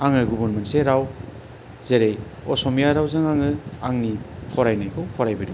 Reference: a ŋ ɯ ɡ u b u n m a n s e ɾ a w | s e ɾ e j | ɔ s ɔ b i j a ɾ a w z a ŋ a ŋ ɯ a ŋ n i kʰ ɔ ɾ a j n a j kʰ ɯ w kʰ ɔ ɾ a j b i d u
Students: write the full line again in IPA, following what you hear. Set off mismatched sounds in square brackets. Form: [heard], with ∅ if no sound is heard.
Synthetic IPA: a ŋ ɯ ɡ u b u n m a n s e ɾ a w | [z] e ɾ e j | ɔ s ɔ [m] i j a ɾ a w z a ŋ a ŋ ɯ a ŋ n i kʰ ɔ ɾ a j n a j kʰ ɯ w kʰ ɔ ɾ a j b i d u

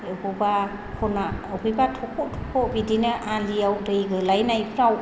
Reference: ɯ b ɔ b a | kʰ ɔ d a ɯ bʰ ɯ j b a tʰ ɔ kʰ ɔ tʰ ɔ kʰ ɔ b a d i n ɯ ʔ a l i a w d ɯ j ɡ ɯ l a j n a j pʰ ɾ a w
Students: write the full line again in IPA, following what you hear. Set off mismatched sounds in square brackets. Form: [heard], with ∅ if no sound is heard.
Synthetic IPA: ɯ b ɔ b a | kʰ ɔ [n] a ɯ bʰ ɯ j b a tʰ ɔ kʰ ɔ tʰ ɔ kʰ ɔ b [i] d i n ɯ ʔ a l i a w d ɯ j ɡ ɯ l a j n a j pʰ ɾ a w

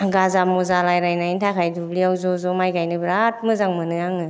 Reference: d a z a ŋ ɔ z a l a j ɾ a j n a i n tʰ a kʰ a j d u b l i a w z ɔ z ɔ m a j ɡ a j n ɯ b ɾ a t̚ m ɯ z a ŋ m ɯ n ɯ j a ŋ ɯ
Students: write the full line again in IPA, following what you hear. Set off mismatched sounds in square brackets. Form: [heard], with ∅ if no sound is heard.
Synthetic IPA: [ɡ] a z a [m] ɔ z a l a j ɾ a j n a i n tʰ a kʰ a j d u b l i a w z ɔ z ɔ m a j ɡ a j n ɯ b ɾ a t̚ m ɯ z a ŋ m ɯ n ɯ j a ŋ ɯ

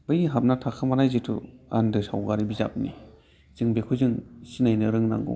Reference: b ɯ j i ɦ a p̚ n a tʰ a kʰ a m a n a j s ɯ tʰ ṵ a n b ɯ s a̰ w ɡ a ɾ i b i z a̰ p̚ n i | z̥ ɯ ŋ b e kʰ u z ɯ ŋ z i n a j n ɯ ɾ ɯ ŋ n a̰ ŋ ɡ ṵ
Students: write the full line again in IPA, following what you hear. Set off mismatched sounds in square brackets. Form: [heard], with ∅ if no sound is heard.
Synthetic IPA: b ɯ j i ɦ a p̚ n a tʰ a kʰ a m a n a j [z] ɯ tʰ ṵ a n [d] ɯ s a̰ w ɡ a ɾ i b i z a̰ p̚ n i | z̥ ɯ ŋ b e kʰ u z ɯ ŋ [s] i n a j n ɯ ɾ ɯ ŋ n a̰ ŋ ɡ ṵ

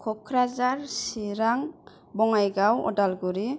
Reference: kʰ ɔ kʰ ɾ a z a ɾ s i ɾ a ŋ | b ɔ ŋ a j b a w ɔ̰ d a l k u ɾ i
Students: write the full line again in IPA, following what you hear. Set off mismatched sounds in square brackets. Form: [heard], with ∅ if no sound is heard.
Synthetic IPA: kʰ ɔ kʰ ɾ a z a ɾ s i ɾ a ŋ | b ɔ ŋ a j [ɡ] a w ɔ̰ d a l [ɡ] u ɾ i

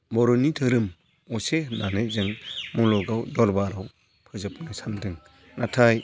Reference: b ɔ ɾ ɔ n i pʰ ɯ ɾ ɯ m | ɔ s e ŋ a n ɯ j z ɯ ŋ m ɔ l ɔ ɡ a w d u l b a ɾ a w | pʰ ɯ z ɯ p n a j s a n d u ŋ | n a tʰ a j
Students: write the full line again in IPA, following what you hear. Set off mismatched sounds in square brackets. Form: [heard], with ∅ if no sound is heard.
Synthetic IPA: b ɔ ɾ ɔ n i [tʰ] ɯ ɾ ɯ m | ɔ s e [n] a n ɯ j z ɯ ŋ m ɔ l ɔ ɡ a w d [ɔ] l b a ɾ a w | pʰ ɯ z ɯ p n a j s a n d [ɯ] ŋ | n a tʰ a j

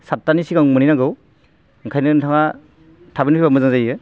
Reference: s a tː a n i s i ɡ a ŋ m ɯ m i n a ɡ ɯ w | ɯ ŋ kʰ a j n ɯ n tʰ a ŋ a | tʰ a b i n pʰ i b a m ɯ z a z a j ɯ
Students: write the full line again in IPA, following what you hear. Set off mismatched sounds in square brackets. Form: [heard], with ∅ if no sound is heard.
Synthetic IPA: s a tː a n i s i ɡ a ŋ m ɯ [n] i n a ɡ ɯ w | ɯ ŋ kʰ a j n ɯ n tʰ a ŋ a | tʰ a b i n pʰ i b a m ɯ z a z a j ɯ

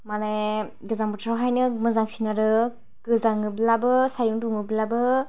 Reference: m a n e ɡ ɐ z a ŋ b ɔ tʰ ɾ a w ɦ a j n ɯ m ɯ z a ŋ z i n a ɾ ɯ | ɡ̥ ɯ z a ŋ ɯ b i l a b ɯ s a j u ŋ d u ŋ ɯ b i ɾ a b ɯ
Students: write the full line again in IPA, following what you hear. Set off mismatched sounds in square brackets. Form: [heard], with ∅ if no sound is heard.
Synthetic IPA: m a n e ɡ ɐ z a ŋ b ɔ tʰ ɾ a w ɦ a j n ɯ m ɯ z a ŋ [s] i n a ɾ ɯ | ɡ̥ ɯ z a ŋ ɯ b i l a b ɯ s a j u ŋ d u ŋ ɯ b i [l] a b ɯ

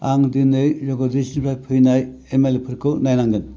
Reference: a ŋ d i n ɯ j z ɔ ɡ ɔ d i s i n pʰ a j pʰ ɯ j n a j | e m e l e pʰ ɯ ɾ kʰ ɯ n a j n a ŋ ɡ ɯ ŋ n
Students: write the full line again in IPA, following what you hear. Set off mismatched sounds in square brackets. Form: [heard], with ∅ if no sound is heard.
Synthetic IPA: a ŋ d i n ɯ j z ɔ ɡ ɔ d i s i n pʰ a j pʰ ɯ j n a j | e m e l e pʰ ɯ ɾ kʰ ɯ n a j n a ŋ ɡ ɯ [∅] n

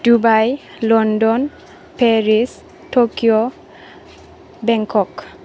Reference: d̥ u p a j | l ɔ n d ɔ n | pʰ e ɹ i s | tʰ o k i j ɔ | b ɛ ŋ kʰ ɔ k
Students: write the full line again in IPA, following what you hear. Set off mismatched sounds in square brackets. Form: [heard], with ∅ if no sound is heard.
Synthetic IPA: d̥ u [b] a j | l ɔ n d ɔ n | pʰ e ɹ i s | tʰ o k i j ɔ | b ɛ ŋ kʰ ɔ k

